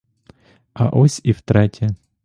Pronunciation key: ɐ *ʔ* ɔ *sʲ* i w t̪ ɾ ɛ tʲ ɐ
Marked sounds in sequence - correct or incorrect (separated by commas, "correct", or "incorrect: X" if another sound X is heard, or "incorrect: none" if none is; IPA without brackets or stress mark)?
correct, correct